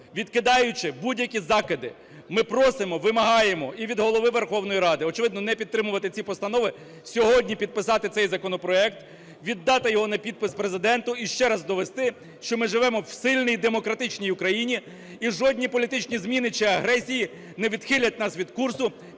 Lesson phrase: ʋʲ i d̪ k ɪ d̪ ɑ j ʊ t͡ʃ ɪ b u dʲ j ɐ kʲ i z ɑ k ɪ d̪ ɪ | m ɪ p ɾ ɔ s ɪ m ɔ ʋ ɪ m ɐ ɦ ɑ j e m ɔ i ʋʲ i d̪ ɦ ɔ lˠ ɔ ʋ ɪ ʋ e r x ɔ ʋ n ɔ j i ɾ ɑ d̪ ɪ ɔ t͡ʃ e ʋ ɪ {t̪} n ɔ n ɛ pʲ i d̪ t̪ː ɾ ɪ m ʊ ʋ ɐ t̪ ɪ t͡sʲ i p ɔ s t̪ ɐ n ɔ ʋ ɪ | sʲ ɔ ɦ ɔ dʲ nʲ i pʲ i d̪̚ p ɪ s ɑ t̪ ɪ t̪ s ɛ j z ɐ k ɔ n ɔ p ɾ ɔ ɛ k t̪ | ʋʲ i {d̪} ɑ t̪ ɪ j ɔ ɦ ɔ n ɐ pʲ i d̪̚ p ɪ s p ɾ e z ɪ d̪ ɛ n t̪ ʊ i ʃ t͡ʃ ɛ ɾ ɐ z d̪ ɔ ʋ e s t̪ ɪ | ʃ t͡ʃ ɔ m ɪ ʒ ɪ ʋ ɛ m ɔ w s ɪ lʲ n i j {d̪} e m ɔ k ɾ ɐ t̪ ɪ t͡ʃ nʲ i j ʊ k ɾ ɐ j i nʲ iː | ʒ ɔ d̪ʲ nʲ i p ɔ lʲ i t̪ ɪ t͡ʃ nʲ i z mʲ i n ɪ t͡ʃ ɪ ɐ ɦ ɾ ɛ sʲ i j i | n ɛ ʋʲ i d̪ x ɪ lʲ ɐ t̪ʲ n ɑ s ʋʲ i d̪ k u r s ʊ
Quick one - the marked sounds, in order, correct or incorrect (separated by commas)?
incorrect, incorrect, correct